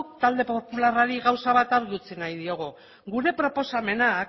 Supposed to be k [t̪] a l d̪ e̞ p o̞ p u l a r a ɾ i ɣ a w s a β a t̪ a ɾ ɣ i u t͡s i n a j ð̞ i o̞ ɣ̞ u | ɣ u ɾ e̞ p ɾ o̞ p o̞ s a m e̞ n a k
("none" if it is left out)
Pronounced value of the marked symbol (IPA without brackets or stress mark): t̪